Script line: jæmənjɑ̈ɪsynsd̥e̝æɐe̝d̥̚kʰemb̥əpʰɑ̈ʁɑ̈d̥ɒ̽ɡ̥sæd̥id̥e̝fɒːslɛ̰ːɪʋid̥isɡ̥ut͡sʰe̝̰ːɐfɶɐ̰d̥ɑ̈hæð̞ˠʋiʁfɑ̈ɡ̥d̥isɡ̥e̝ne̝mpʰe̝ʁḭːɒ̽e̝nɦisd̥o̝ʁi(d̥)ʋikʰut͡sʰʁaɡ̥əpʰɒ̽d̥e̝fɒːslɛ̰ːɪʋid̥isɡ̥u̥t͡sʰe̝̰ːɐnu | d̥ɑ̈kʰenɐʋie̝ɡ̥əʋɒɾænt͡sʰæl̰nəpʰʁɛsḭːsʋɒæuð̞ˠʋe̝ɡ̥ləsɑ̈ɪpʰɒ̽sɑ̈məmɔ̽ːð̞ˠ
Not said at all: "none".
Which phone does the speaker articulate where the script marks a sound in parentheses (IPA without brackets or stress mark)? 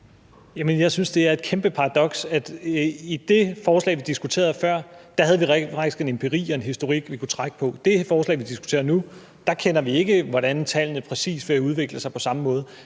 ɡ̥